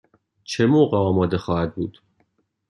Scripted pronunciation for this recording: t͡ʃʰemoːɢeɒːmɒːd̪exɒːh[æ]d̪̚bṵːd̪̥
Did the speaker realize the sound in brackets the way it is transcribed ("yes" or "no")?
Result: yes